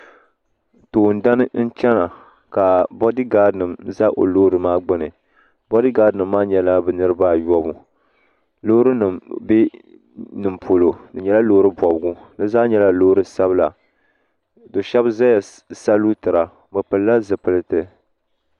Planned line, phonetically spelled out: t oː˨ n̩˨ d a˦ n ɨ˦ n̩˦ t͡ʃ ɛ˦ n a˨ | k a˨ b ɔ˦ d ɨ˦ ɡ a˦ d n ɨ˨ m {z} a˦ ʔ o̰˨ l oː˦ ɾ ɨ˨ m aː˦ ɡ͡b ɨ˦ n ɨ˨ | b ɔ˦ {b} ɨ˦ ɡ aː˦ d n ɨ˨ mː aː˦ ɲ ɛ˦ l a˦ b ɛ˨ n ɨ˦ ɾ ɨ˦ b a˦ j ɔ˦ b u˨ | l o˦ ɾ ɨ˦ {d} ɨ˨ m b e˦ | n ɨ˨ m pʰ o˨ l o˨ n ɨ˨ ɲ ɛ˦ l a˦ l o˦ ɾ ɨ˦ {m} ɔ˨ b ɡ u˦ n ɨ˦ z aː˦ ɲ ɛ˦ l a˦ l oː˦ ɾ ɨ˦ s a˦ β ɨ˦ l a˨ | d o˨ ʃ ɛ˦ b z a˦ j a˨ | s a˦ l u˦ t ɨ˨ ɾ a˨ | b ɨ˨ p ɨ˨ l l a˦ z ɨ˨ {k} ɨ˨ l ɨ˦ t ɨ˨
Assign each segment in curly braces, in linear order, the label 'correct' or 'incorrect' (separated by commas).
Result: correct, incorrect, incorrect, incorrect, incorrect